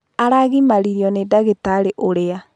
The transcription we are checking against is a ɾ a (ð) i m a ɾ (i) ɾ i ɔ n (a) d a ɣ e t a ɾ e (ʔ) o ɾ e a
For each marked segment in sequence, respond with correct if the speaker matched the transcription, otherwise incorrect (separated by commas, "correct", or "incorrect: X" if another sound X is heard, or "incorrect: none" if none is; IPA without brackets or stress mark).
incorrect: ɣ, correct, incorrect: e, correct